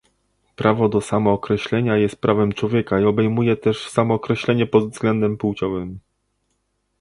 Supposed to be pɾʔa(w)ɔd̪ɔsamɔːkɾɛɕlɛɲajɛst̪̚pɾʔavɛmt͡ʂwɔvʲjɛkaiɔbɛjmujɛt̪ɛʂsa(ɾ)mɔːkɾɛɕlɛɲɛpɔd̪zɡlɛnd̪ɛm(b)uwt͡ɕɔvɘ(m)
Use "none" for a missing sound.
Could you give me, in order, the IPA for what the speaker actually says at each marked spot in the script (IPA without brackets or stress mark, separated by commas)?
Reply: v, none, p, m